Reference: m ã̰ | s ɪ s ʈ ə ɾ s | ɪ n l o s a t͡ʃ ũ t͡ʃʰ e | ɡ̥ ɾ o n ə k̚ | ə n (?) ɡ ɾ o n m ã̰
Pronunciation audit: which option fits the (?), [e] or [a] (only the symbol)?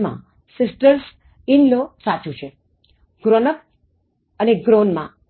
e